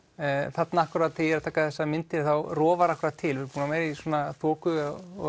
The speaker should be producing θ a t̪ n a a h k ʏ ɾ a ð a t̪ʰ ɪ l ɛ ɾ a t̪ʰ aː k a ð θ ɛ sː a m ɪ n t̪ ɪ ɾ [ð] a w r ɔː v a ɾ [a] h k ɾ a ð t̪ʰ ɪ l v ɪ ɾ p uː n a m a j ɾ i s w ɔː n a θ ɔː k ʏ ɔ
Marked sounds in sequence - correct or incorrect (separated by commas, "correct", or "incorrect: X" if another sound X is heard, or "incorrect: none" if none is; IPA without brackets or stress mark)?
incorrect: θ, correct